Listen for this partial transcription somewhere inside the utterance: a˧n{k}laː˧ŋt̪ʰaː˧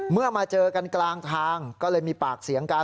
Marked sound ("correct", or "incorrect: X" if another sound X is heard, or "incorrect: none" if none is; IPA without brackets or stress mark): correct